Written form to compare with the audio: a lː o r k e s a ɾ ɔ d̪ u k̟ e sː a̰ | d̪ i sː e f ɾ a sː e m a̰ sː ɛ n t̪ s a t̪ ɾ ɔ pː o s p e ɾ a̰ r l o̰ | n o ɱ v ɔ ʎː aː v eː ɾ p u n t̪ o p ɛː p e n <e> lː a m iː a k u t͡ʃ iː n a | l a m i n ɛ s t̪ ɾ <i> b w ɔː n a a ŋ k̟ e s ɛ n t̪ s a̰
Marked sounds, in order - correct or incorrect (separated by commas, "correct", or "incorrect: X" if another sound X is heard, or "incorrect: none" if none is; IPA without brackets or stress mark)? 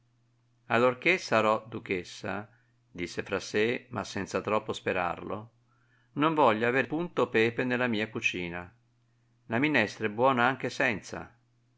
correct, incorrect: ɛ